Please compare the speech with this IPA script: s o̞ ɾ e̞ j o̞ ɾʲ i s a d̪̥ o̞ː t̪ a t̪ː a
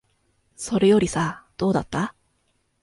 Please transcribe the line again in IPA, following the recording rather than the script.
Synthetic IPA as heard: s o̞ ɾ e̞ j o̞ ɾʲ i s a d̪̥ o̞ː d̪ a t̪ː a